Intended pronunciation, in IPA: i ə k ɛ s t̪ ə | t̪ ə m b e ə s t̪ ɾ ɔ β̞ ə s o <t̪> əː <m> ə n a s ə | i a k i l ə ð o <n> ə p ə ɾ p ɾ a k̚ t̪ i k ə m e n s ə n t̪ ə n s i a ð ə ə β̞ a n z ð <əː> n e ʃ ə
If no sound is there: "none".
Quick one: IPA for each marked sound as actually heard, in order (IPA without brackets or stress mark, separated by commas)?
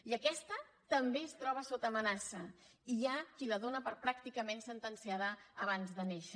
t̪, m, n, ə